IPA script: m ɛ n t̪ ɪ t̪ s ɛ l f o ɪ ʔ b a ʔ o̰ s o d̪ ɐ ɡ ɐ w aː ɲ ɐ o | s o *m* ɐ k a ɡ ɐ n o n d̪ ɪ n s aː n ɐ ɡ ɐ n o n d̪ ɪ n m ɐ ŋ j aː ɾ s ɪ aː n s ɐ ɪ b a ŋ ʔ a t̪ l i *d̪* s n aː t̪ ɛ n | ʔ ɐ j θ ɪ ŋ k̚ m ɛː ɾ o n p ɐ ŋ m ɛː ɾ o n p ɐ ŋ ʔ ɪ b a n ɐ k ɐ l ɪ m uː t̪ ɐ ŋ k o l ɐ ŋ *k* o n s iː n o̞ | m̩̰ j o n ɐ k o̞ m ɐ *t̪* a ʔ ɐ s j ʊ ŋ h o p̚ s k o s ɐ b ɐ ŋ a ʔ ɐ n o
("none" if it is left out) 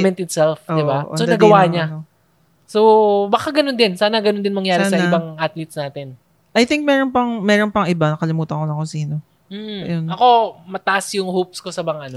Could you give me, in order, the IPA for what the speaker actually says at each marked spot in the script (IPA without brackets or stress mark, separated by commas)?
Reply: b, t̪, k, t̪